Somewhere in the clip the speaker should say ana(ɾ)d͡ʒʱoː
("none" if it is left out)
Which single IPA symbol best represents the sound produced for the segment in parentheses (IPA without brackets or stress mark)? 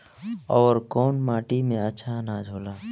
none